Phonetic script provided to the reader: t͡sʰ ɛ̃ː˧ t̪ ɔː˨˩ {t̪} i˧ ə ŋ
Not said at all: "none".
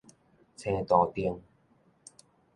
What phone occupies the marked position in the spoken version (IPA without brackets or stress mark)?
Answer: t̪